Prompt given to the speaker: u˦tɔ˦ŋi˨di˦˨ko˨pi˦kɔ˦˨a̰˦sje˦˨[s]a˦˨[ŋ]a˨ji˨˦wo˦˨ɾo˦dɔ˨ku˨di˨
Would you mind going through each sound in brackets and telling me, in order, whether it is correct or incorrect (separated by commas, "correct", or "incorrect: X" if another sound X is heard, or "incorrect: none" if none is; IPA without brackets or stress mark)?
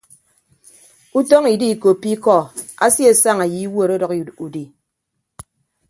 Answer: correct, correct